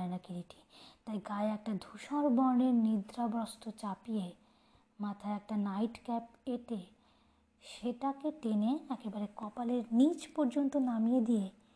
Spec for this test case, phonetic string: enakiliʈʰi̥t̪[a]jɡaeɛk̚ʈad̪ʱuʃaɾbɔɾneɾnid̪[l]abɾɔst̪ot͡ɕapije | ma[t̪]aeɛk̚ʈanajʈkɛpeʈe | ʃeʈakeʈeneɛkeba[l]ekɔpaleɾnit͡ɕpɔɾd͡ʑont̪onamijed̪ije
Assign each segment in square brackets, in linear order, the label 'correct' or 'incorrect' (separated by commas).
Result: correct, incorrect, incorrect, incorrect